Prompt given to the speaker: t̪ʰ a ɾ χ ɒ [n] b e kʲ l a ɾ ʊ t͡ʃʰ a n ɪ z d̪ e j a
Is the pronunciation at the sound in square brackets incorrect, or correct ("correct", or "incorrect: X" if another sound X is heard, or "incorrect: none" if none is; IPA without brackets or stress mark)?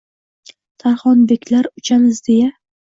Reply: correct